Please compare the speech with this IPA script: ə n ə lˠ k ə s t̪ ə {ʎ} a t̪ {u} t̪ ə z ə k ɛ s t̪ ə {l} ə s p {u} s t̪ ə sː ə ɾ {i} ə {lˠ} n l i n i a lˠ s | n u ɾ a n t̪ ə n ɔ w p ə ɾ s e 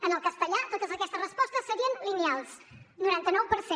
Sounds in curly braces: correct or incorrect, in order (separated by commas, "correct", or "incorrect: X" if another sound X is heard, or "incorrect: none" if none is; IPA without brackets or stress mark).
correct, incorrect: o, incorrect: r, incorrect: ɔ, correct, incorrect: none